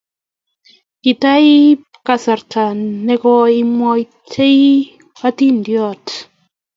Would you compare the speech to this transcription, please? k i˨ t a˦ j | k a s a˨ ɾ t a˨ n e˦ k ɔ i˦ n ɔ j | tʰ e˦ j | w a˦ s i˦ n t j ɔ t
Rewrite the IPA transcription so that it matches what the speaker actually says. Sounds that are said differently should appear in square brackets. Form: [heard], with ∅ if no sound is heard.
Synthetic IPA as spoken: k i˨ t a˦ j | k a s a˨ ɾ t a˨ n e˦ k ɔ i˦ [m] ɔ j | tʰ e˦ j | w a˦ [t] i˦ n [d] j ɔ t